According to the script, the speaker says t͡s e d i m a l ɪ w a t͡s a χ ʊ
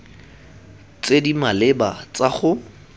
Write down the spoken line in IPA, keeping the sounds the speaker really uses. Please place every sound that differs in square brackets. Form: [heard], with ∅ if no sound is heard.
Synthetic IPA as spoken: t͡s e d i m a l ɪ [b] a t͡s a χ ʊ

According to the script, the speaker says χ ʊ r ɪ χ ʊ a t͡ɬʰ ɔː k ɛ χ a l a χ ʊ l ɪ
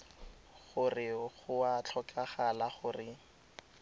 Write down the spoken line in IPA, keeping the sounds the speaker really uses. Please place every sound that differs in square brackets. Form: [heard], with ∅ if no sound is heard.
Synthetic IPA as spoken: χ ʊ r ɪ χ ʊ a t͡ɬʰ [ɔ] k [a] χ a l a χ ʊ [r] ɪ

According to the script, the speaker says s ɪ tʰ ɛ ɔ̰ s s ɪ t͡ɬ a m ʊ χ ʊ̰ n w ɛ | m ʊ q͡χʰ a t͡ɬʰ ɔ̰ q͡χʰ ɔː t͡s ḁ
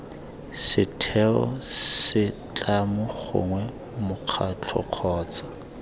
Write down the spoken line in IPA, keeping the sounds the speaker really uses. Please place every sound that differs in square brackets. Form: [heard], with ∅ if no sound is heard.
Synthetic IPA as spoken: s ɪ tʰ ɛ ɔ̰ s s ɪ t͡ɬ a m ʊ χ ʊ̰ [ŋ] w ɛ | m ʊ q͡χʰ a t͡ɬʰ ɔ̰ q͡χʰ ɔː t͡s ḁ

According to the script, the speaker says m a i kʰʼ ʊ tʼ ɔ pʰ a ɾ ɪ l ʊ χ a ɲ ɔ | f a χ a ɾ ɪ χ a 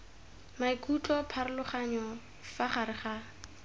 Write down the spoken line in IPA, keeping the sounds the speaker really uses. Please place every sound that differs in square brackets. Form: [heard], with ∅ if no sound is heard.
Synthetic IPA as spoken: m a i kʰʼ [u] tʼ ɔ pʰ a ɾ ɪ l ʊ χ a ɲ ɔ | f a χ a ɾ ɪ χ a

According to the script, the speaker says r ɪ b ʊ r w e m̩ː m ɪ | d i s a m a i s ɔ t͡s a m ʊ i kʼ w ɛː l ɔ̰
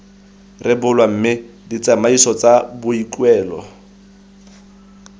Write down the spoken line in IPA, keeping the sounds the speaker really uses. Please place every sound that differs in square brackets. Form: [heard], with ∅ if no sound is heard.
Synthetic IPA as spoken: r ɪ b ʊ [l] w [a] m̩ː m ɪ | d i [t͡s] a m a i s ɔ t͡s a [b] ʊ i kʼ w ɛː l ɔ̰

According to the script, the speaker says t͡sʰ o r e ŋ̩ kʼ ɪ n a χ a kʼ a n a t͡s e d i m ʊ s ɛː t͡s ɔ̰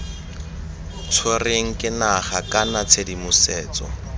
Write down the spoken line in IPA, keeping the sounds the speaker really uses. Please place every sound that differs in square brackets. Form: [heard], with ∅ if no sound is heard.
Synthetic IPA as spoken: t͡sʰ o r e ŋ̩ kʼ ɪ n a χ a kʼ a n a [t͡sʰ] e d i m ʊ s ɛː t͡s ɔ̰

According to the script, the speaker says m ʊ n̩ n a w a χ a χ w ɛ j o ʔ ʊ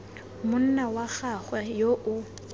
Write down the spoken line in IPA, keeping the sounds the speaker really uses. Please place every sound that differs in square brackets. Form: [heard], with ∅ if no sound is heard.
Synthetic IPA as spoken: m ʊ n̩ n a w a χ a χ w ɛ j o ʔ ʊ

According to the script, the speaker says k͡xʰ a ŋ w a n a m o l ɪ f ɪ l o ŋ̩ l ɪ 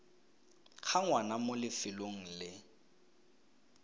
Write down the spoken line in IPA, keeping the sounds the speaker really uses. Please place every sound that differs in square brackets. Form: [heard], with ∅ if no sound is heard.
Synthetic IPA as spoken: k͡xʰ a ŋ w a n a m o l ɪ f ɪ l o ŋ̩ l ɪ

